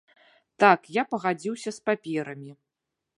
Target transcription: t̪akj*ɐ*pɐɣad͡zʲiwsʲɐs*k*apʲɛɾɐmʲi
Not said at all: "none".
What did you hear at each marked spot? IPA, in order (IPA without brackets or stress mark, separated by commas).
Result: a, p